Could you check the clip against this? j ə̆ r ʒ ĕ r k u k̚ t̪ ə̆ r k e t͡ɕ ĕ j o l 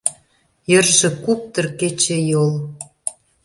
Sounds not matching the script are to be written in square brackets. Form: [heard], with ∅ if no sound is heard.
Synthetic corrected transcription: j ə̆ r ʒ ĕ [∅] k u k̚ t̪ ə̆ r k e t͡ɕ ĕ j o l

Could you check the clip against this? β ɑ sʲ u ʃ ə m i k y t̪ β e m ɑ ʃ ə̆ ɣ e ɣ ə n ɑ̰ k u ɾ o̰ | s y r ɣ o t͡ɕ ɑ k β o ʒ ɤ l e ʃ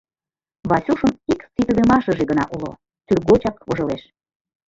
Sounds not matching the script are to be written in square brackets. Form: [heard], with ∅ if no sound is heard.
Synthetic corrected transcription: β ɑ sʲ u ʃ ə m i k [i] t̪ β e m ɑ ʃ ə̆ [ʒ] e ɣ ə n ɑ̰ [ʔ] u [l] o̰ | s y r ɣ o t͡ɕ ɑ k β o ʒ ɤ l e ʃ

